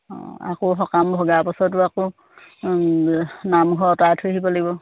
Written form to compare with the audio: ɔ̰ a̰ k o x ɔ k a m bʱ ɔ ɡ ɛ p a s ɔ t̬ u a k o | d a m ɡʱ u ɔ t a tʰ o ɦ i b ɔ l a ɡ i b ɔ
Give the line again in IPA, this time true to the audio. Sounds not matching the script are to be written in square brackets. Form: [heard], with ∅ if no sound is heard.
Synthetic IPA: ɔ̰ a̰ k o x ɔ k a m bʱ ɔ ɡ [a] p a s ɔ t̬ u a k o | [n] a m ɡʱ [ɔ] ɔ t a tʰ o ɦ i b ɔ l a ɡ i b ɔ